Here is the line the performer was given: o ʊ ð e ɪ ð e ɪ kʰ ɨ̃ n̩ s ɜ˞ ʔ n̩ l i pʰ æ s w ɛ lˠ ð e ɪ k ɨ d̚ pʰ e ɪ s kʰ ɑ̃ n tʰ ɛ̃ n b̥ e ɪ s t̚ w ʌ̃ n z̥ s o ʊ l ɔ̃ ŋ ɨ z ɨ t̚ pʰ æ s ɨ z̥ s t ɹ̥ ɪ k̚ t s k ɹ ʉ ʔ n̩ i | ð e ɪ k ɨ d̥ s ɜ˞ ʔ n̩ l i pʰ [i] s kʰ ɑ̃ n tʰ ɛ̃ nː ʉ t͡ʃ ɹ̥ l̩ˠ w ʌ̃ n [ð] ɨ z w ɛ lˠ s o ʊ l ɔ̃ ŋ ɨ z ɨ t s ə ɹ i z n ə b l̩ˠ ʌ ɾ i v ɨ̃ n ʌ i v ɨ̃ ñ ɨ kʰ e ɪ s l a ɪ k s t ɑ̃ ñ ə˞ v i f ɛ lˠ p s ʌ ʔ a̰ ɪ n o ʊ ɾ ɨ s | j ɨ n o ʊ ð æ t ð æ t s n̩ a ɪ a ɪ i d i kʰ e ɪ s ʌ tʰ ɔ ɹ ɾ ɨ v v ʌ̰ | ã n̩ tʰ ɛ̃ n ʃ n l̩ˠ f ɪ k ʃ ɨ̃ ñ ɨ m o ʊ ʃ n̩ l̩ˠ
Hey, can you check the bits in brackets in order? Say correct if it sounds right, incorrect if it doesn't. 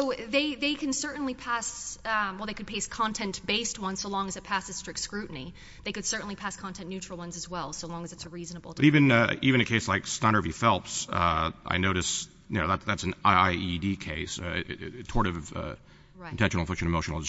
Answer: incorrect: æ, incorrect: z

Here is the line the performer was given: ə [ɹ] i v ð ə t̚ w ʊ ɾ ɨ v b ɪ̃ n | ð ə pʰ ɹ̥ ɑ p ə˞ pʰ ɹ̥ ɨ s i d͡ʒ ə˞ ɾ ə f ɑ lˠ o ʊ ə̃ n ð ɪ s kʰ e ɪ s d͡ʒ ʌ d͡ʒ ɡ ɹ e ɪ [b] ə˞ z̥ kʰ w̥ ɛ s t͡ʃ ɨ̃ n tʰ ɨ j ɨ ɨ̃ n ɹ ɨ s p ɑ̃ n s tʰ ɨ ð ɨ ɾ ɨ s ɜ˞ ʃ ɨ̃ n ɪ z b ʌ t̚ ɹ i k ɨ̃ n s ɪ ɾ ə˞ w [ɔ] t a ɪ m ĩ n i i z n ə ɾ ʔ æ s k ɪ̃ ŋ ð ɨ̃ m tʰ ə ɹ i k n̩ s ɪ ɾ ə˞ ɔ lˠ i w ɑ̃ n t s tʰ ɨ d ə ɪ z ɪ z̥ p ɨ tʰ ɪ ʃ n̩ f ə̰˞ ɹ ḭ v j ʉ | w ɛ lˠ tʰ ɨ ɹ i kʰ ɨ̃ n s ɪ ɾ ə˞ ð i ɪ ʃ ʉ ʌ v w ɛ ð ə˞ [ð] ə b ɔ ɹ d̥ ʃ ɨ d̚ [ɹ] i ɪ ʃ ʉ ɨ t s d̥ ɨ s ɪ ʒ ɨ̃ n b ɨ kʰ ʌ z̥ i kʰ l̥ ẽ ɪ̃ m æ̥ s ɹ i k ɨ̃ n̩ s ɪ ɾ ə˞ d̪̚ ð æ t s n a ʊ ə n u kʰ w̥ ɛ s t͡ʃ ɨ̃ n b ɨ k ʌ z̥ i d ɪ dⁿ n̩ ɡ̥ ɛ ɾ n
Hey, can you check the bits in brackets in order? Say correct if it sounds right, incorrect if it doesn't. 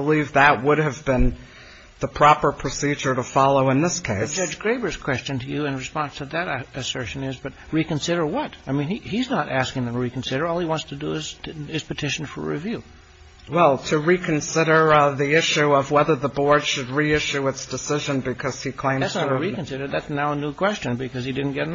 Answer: incorrect: l, correct, incorrect: ʌ, correct, correct

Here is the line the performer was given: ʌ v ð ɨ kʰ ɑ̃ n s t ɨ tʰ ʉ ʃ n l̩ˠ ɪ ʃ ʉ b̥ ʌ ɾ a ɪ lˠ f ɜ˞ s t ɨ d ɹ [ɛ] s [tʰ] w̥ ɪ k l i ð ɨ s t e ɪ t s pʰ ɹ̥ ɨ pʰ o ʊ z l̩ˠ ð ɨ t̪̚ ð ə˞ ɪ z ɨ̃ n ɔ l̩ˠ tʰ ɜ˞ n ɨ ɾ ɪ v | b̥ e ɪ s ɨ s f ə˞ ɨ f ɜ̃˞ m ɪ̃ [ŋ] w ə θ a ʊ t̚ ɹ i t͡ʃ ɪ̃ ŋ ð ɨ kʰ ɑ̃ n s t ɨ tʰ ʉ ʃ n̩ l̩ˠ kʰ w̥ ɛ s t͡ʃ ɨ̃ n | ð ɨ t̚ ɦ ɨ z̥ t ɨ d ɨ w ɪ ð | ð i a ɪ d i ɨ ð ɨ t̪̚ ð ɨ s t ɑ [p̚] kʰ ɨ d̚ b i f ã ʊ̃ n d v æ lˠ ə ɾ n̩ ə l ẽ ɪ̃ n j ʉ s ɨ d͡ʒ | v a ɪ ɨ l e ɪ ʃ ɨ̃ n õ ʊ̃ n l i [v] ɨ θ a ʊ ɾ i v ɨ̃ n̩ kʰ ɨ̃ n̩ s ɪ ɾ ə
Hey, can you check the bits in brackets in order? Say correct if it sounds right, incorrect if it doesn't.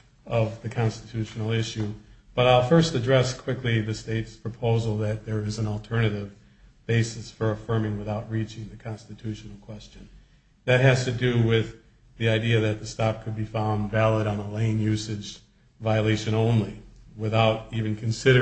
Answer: correct, incorrect: kʰ, correct, correct, incorrect: w

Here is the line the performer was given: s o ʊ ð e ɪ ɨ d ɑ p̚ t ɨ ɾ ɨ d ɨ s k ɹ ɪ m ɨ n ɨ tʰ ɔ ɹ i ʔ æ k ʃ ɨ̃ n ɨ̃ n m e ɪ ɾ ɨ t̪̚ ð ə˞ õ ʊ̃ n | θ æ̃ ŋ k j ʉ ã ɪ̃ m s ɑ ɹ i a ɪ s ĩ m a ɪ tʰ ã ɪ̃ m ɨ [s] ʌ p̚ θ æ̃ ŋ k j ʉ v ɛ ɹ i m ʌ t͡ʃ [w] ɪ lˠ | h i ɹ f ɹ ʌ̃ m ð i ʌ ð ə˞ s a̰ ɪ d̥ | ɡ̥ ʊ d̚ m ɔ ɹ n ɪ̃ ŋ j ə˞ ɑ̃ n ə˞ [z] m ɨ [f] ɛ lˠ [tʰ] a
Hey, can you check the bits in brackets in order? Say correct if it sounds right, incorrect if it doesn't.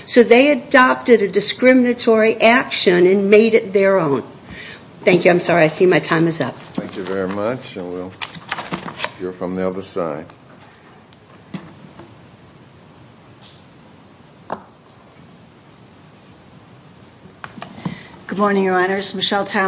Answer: incorrect: z, correct, correct, incorrect: ʃ, correct

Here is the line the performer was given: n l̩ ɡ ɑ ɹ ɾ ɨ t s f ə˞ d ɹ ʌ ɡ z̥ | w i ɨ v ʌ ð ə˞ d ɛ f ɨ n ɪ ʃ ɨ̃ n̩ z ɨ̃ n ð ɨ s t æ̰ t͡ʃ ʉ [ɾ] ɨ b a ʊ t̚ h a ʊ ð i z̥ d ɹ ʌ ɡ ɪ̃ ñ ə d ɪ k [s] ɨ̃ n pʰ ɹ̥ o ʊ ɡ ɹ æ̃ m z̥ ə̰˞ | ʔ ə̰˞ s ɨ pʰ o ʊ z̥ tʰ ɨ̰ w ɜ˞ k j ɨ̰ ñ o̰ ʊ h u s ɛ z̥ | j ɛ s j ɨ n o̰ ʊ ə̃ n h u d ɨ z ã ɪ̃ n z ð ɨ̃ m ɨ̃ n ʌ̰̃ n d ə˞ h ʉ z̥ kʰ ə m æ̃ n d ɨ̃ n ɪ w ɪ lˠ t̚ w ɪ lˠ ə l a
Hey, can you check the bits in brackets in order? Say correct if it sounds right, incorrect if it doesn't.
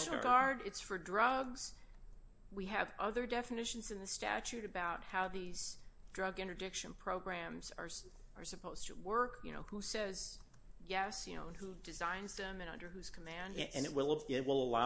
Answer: correct, incorrect: ʃ

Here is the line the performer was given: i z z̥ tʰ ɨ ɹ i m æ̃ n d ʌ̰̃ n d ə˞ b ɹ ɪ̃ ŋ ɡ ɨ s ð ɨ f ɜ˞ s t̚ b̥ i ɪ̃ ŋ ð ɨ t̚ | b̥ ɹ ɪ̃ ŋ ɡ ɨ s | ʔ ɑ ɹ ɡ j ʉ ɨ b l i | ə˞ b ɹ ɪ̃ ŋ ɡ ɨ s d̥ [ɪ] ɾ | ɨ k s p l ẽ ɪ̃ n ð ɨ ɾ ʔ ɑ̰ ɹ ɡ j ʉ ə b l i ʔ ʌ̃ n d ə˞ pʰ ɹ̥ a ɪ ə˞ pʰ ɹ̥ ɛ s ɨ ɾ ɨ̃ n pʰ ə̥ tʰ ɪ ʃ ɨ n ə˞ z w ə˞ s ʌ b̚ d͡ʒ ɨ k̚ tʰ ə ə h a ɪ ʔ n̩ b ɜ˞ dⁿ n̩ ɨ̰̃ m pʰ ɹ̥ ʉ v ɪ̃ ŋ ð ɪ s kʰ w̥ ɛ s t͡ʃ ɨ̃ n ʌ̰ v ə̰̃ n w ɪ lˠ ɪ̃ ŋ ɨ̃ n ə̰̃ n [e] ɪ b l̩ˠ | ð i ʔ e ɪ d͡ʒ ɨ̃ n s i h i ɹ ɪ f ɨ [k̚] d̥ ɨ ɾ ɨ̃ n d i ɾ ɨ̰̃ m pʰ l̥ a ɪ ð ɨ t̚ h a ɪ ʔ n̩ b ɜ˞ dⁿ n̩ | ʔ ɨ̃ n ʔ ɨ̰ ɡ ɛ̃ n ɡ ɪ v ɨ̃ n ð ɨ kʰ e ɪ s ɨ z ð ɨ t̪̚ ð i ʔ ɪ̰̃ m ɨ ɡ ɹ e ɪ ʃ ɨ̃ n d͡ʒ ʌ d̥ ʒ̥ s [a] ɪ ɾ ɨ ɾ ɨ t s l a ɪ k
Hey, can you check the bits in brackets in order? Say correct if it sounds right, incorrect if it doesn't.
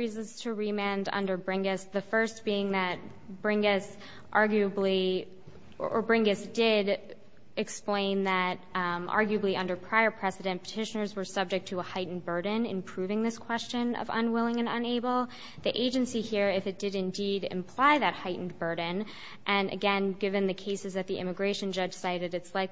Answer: correct, correct, incorrect: t̚, correct

